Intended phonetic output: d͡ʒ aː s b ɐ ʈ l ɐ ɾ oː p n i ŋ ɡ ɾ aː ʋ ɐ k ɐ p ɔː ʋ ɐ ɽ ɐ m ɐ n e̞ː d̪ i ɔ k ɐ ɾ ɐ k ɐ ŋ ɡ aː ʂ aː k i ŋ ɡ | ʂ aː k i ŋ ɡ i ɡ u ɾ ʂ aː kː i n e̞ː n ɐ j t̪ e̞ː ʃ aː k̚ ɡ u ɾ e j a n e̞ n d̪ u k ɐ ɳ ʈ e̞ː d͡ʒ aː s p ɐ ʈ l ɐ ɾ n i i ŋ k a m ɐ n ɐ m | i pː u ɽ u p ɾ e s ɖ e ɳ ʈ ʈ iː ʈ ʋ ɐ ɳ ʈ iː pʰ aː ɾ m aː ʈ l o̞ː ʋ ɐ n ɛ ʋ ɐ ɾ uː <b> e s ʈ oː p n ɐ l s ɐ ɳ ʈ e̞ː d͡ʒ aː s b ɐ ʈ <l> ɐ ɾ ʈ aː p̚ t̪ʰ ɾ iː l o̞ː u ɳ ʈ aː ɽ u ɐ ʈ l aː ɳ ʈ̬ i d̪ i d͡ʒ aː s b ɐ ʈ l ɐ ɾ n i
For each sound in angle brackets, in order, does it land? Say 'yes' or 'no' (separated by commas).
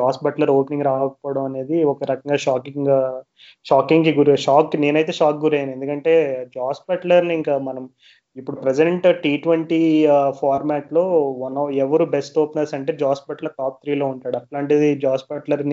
yes, yes